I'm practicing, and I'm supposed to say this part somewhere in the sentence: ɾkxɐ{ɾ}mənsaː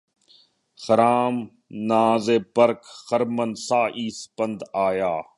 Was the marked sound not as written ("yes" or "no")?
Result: no